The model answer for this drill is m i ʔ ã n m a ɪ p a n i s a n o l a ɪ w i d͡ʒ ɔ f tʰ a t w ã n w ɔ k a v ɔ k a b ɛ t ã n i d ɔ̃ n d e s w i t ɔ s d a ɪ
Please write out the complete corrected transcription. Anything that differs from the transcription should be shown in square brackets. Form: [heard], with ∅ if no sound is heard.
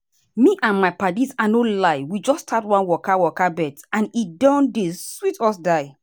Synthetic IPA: m i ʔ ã n m a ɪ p a [d] i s a n o l a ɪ w i d͡ʒ ɔ [s] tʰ a t w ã n w ɔ k a [w] ɔ k a b ɛ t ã n i d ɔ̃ n d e s w i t ɔ s d a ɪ